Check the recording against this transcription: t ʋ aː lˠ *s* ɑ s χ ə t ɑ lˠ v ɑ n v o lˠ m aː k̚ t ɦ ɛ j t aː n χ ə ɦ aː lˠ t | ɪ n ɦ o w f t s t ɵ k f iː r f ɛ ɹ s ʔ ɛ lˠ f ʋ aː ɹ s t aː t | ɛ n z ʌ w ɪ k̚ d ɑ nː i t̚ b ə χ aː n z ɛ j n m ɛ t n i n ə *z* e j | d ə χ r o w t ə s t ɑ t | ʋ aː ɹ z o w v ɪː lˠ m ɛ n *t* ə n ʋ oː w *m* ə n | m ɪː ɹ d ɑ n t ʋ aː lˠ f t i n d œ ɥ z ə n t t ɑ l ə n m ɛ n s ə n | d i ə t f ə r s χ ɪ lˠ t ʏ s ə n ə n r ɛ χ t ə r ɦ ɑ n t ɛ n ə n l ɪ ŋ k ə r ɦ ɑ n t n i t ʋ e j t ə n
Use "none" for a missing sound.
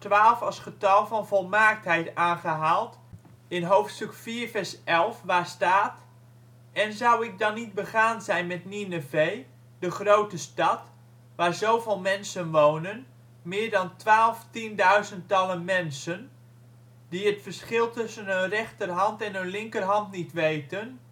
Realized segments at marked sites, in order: f, v, s, n

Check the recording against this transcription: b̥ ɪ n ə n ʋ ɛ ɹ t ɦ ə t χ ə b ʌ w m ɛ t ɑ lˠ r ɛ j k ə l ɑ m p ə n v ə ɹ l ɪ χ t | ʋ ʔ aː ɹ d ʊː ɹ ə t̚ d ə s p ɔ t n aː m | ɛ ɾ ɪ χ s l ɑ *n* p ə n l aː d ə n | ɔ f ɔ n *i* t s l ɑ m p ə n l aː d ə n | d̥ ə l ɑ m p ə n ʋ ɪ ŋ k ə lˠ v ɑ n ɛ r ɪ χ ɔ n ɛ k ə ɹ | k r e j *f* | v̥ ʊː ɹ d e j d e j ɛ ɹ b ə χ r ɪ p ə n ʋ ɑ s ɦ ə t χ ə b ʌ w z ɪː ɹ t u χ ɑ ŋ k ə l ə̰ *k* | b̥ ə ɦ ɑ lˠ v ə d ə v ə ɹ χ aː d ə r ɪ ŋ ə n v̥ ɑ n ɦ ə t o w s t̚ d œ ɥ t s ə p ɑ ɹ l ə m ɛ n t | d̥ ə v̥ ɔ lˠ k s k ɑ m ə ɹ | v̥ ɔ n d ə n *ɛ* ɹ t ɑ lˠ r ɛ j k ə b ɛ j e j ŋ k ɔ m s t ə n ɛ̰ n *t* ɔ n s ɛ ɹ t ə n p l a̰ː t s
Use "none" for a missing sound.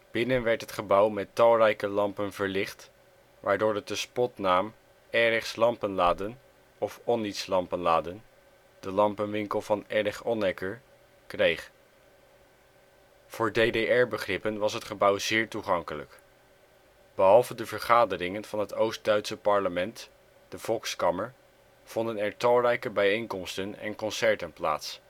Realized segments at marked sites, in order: m, i, χ, k, ɛ, k

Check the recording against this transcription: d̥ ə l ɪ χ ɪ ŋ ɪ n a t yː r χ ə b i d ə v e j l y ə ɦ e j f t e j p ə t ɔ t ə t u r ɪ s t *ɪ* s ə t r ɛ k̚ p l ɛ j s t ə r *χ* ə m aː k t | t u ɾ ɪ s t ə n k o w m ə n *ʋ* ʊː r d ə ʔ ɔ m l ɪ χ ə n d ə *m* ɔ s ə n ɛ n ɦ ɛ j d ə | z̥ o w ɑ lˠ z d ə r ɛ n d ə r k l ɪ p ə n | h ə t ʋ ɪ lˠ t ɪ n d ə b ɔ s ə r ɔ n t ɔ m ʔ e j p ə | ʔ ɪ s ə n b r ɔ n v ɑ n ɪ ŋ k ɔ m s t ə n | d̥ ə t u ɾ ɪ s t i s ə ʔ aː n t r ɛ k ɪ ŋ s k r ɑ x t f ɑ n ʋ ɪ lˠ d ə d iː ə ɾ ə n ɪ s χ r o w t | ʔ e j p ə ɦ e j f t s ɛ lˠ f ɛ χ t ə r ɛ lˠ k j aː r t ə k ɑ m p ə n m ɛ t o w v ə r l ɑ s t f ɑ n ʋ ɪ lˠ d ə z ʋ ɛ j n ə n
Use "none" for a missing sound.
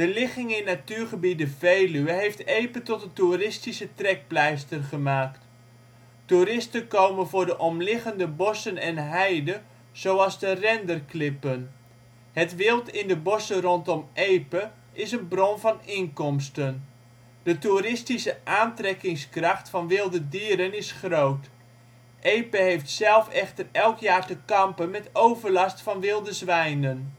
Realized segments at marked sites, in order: i, χ, v, b

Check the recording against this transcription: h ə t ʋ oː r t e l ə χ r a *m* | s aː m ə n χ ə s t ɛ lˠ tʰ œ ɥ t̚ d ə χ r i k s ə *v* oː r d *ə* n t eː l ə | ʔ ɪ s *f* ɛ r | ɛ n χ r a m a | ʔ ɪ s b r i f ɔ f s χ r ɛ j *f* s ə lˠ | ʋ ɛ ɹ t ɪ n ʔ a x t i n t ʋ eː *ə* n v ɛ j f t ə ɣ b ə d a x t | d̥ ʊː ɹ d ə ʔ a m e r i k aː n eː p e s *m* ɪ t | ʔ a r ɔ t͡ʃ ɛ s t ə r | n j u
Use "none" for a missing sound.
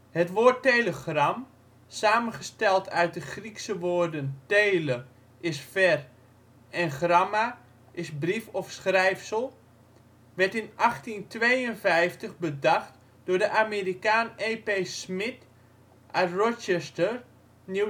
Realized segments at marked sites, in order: m, ʋ, ə, f, f, ə, m

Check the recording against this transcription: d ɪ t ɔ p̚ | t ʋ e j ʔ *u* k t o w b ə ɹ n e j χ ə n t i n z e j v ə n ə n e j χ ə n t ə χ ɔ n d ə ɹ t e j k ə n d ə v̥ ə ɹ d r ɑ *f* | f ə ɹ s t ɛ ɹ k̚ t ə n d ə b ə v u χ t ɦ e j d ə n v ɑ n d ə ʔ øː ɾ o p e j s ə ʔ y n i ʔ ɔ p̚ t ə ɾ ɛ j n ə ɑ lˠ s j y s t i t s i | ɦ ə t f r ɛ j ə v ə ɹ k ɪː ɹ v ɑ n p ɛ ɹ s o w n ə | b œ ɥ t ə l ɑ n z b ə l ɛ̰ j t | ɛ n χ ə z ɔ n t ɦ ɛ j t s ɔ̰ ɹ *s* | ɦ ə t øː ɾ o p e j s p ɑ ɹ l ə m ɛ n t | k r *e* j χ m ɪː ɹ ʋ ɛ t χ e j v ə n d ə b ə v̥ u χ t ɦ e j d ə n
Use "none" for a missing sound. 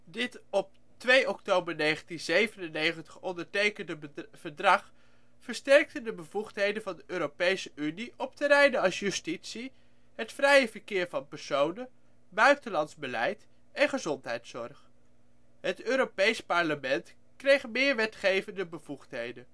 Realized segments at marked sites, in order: ɔ, χ, χ, e

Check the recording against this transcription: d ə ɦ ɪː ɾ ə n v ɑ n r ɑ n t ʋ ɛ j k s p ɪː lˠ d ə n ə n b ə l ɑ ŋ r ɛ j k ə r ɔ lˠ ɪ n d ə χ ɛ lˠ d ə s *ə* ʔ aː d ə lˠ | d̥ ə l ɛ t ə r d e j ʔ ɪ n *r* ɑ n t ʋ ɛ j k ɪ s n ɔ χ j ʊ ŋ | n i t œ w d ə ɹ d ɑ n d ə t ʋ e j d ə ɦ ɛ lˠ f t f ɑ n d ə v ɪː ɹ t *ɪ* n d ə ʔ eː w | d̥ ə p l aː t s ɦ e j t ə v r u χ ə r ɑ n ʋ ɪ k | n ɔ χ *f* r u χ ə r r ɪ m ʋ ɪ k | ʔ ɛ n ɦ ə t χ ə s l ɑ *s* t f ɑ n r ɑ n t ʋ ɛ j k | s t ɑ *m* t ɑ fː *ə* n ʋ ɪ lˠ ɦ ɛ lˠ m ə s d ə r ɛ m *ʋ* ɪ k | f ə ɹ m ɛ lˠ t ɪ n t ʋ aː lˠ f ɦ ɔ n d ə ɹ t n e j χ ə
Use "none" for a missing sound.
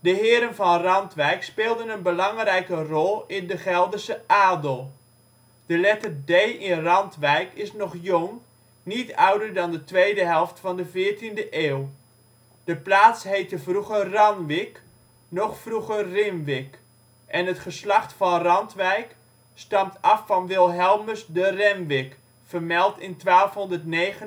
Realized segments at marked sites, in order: ə, r, i, f, χ, m, ɑ, ʋ

